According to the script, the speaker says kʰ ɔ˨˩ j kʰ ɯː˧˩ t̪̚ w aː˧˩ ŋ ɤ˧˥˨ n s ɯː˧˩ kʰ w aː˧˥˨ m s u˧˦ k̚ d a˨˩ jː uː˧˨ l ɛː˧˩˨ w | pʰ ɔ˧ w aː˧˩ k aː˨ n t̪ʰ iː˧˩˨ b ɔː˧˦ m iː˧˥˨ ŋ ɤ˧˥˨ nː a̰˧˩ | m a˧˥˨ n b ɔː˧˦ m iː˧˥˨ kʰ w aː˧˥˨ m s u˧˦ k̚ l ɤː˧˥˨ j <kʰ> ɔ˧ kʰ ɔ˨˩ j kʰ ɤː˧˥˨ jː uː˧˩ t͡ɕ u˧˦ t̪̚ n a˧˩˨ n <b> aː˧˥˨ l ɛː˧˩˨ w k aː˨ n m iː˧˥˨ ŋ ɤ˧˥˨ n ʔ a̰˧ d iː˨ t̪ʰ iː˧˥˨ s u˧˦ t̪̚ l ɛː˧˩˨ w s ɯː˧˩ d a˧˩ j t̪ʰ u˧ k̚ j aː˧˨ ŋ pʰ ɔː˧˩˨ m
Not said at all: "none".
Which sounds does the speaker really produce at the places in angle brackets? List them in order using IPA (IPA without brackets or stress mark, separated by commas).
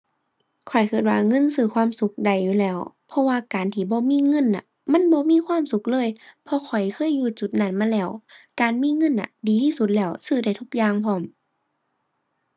pʰ, m